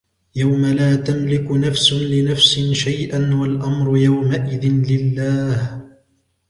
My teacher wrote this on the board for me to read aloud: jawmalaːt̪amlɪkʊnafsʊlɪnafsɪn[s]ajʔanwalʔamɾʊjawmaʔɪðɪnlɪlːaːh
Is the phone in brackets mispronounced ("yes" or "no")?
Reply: yes